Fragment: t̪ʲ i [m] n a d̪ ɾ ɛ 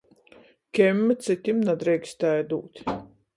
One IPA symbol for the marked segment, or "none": m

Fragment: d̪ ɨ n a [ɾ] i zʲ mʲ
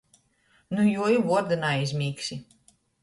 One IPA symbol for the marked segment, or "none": none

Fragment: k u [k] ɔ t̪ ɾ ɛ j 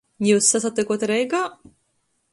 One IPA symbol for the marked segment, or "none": none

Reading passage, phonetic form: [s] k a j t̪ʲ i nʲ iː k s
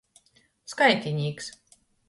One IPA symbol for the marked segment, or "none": s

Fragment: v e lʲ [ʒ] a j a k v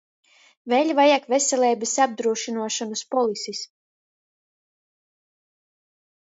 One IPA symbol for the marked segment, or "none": v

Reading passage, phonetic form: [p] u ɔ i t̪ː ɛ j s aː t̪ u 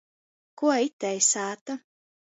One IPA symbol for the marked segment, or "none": k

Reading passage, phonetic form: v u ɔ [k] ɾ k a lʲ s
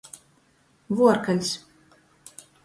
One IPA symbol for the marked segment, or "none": none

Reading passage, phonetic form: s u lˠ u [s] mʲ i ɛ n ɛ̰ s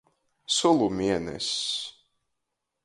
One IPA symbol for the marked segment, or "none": none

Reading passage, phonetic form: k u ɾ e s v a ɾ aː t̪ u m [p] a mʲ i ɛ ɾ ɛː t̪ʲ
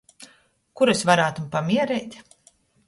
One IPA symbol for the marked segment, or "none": p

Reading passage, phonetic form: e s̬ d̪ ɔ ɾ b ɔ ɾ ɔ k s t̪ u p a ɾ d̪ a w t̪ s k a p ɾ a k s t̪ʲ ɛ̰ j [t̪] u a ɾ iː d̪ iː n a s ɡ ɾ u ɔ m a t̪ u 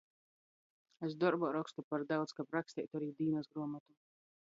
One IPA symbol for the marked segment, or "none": t̪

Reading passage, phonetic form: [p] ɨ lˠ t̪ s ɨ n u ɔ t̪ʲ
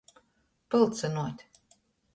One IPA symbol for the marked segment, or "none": p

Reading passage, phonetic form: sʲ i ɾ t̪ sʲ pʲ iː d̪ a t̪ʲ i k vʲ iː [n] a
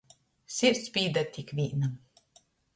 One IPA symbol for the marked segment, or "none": n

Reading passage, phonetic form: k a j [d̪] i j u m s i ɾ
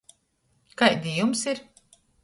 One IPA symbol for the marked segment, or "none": d̪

